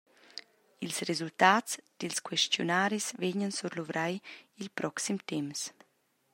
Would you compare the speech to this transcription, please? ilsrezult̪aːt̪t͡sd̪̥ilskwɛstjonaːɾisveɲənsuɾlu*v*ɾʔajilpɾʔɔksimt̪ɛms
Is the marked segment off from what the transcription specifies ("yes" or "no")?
no